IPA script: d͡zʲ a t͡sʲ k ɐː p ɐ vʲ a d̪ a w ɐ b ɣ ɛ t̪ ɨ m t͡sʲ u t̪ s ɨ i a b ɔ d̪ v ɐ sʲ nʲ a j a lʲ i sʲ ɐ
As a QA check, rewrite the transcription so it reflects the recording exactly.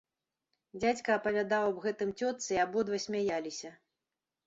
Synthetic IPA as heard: d͡zʲ a t͡sʲ k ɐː p ɐ vʲ a d̪ a w ɐ b ɣ ɛ t̪ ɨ m t͡sʲ ɔ t̪ s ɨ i a b ɔ d̪ v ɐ sʲ mʲ a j a lʲ i sʲ ɐ